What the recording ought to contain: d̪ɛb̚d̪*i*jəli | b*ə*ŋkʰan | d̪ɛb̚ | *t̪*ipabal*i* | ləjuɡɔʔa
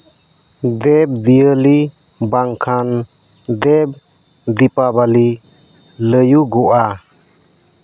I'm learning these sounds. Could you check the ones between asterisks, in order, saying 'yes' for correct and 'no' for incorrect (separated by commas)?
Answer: yes, no, no, yes